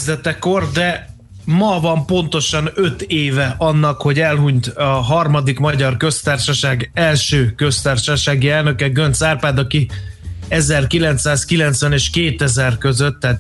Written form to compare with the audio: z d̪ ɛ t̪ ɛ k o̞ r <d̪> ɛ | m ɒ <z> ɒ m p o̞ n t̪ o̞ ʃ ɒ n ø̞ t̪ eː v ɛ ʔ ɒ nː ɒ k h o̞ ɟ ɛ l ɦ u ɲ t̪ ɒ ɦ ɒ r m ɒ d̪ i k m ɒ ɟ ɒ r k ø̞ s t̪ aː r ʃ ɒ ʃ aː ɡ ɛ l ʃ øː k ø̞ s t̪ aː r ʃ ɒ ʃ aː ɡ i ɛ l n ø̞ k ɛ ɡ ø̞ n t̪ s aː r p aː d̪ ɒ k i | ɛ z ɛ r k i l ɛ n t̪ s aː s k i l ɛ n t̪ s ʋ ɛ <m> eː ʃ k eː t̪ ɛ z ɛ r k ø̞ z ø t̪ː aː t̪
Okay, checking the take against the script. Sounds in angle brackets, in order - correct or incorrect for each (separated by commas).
correct, incorrect, incorrect